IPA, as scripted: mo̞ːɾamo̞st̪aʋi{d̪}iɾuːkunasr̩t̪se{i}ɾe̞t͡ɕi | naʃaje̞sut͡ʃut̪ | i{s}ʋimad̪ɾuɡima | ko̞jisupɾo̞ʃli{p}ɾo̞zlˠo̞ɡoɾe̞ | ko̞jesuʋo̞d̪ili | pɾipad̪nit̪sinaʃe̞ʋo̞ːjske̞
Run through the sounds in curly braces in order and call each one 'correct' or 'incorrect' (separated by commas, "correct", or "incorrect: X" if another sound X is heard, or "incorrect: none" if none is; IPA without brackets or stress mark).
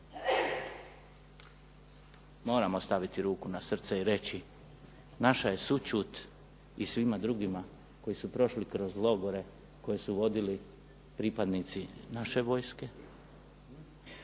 incorrect: t̪, correct, correct, incorrect: k